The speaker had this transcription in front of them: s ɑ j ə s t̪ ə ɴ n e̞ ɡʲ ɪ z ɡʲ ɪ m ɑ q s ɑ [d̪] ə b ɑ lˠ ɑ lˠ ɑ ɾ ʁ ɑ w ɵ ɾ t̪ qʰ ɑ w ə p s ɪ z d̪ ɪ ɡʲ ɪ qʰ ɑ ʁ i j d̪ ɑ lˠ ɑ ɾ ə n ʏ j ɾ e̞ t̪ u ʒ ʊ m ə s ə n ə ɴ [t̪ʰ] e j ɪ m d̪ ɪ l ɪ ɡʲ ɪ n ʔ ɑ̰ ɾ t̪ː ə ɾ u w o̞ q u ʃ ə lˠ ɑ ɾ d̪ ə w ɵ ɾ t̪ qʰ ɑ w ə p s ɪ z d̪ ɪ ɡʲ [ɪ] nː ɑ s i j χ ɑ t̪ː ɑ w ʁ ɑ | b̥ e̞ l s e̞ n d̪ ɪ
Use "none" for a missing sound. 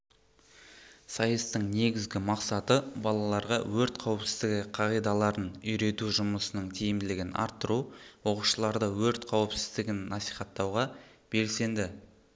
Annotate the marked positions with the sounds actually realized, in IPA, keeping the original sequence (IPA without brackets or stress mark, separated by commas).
t̪, t̪ʰ, ɪ